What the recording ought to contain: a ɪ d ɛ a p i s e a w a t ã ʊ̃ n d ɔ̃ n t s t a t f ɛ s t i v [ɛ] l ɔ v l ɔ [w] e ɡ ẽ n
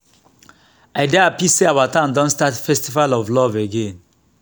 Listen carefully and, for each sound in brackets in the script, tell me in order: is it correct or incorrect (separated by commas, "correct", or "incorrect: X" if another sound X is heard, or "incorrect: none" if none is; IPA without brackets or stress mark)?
incorrect: a, incorrect: v